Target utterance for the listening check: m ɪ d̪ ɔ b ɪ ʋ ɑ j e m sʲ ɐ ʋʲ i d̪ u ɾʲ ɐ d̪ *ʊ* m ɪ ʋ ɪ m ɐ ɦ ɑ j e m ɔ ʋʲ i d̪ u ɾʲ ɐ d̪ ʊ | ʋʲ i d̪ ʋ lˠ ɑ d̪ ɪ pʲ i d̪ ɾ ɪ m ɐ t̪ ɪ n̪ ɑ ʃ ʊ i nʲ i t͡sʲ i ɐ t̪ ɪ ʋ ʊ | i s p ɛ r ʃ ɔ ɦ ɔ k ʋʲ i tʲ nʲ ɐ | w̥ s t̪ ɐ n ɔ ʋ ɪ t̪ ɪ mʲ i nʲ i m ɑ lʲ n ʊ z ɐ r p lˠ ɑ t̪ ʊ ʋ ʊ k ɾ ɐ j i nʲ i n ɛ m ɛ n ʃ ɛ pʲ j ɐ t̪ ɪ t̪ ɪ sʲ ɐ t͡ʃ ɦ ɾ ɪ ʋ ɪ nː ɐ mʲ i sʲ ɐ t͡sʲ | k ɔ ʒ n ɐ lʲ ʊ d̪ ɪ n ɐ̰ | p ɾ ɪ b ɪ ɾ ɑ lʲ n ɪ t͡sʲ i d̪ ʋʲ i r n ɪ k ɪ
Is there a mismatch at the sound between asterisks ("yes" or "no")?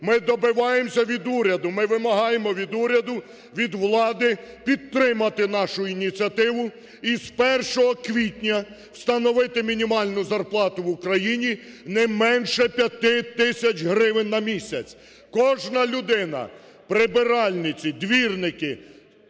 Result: no